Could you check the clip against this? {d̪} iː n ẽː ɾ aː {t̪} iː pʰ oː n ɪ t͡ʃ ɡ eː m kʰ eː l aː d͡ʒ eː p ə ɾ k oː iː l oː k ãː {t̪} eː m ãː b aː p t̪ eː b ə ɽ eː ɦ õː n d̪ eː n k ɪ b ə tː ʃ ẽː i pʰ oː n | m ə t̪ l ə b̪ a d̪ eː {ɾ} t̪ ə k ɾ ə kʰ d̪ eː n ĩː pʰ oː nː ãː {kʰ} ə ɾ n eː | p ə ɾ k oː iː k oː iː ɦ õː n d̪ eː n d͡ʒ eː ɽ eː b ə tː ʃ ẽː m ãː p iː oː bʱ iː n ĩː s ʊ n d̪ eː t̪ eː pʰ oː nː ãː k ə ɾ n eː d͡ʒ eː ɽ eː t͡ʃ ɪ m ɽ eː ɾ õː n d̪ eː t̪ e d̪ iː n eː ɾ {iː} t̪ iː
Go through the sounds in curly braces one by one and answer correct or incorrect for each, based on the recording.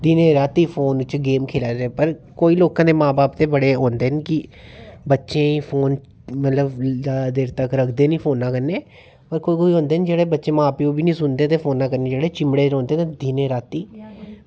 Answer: correct, correct, incorrect, correct, incorrect, incorrect

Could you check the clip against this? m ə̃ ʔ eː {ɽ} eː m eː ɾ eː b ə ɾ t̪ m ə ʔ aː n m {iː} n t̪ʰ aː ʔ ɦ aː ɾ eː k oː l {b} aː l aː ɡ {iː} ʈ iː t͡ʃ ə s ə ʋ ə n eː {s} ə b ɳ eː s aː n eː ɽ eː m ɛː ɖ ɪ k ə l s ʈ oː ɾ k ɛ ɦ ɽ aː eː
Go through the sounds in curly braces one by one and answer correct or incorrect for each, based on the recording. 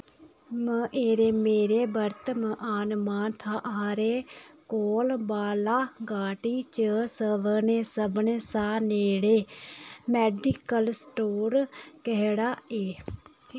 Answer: incorrect, incorrect, correct, incorrect, correct

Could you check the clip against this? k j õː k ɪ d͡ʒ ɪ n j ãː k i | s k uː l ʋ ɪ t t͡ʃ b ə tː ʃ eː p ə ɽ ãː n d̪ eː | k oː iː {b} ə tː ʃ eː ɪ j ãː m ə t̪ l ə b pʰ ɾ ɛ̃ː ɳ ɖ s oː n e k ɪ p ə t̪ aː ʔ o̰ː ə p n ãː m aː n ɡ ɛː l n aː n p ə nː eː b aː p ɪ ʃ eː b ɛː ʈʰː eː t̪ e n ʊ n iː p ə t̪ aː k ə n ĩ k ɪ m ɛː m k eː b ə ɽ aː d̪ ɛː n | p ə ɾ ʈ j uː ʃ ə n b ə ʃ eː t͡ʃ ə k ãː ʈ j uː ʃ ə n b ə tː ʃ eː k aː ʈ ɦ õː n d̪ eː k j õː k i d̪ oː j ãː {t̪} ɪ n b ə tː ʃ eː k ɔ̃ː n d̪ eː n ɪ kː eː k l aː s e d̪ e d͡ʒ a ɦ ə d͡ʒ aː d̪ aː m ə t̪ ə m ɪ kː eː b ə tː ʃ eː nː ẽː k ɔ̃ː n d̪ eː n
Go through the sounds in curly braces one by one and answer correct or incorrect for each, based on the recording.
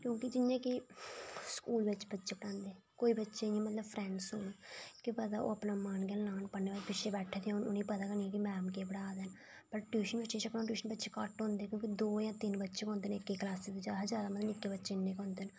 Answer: correct, correct

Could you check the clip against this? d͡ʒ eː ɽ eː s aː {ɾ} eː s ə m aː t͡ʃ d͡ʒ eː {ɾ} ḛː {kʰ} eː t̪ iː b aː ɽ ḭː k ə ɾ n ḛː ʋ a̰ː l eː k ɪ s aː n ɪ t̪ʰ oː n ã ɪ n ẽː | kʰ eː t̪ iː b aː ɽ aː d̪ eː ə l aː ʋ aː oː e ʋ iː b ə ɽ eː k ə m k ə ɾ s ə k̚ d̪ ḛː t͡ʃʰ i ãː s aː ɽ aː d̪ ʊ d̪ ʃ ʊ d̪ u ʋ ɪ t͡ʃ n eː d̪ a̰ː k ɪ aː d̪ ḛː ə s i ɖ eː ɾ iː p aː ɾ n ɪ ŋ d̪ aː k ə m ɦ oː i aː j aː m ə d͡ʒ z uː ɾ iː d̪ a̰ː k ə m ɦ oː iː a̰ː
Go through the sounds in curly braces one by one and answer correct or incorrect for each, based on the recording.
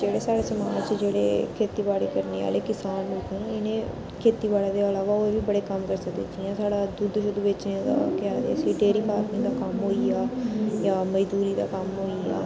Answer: incorrect, incorrect, correct

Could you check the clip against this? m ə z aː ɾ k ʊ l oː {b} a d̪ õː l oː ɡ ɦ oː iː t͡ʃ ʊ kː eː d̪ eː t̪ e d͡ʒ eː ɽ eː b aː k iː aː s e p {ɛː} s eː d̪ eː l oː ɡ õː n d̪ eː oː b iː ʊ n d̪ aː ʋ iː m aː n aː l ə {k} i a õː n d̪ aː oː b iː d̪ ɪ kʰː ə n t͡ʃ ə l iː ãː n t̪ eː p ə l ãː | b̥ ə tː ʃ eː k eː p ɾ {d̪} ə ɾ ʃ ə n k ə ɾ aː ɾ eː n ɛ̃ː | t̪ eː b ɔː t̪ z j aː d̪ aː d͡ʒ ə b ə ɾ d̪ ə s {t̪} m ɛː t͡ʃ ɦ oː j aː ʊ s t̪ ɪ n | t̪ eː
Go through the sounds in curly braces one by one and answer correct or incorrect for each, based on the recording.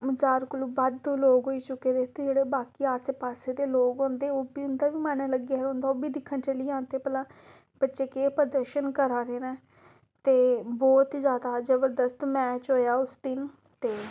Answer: correct, incorrect, incorrect, correct, correct

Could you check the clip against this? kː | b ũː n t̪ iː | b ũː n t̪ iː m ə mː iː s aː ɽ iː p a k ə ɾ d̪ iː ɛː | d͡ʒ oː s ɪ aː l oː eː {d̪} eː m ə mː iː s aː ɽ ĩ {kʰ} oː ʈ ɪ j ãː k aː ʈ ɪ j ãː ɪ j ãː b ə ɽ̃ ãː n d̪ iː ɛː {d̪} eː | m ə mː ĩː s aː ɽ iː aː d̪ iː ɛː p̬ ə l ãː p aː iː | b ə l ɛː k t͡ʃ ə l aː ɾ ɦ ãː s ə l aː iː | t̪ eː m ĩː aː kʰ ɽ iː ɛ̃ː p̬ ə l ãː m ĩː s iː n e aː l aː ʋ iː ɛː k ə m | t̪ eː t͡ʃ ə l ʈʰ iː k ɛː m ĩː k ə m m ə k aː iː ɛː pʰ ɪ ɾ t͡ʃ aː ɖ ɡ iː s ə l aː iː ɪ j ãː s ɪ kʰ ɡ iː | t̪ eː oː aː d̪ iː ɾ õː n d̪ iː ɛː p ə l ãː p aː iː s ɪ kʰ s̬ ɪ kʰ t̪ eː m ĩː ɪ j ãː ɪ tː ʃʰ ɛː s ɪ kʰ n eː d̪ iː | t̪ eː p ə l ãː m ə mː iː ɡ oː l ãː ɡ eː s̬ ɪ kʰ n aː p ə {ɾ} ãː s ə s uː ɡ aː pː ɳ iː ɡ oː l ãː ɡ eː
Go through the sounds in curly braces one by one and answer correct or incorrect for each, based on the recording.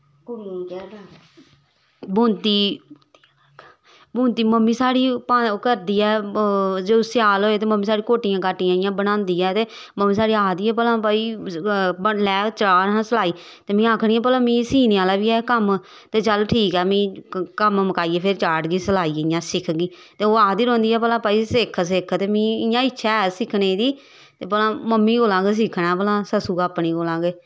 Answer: incorrect, incorrect, incorrect, incorrect

